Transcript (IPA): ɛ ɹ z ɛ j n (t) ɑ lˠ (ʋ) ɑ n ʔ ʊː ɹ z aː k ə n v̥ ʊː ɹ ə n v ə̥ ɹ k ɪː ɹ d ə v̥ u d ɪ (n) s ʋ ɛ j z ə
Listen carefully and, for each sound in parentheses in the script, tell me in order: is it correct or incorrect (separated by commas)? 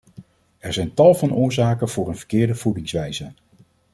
correct, incorrect, incorrect